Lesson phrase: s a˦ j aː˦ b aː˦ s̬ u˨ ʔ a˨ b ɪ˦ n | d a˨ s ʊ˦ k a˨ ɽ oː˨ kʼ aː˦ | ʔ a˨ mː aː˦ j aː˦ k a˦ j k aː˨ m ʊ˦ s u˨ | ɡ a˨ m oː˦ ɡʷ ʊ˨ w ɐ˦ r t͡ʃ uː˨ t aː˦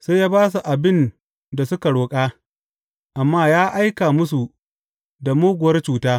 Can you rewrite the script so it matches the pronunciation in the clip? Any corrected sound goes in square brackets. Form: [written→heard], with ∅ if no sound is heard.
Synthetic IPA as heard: s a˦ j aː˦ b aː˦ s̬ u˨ ʔ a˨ b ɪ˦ n | d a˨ s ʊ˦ k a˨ ɽ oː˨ kʼ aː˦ | ʔ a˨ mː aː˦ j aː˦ [k→ʔ] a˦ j k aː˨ m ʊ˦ s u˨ | [ɡ→d] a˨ m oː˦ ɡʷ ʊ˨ w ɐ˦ r t͡ʃ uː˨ t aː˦